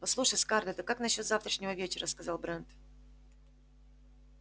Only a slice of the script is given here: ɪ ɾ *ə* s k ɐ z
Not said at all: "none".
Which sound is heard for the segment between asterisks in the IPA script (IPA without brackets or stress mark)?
ə